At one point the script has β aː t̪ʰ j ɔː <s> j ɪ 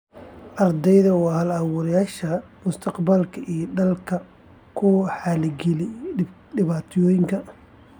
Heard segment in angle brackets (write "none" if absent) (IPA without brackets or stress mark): none